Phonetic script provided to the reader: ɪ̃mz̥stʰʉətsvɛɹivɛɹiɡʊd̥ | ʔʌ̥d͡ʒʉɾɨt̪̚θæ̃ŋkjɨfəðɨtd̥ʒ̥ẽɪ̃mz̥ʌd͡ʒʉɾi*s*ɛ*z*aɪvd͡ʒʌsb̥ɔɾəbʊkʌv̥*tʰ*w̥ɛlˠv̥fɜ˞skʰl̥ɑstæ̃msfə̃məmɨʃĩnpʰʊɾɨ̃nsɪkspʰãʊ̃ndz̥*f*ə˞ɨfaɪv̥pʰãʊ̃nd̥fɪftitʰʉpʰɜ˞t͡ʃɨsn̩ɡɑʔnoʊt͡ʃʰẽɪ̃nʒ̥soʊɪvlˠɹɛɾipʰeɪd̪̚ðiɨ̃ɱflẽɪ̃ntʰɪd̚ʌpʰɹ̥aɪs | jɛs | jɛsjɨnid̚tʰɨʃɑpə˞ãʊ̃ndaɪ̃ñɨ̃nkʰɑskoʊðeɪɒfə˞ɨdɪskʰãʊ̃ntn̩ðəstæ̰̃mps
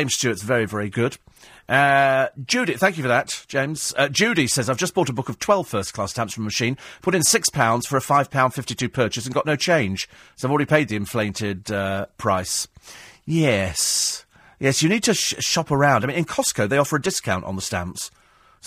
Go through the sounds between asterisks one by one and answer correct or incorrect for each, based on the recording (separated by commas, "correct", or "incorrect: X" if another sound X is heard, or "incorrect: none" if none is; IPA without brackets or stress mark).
correct, correct, correct, correct